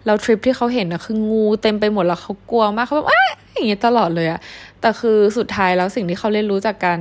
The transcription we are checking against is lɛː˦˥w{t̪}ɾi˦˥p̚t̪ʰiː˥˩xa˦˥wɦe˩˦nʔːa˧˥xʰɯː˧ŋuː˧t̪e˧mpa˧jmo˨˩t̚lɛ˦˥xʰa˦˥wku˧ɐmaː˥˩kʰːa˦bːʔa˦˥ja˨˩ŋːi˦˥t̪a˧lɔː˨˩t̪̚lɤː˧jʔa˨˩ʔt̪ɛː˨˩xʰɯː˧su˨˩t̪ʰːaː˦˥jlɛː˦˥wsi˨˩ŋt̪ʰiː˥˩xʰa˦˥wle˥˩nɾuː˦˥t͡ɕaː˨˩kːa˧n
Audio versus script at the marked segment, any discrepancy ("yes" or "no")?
yes